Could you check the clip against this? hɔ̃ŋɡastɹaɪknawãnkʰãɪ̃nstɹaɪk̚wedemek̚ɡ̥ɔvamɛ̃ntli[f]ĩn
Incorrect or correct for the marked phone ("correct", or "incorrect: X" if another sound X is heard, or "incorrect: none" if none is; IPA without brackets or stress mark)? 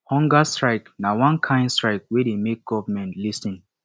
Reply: incorrect: s